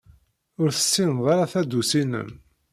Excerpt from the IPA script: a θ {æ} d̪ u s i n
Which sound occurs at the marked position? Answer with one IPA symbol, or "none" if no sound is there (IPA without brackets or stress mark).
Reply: æ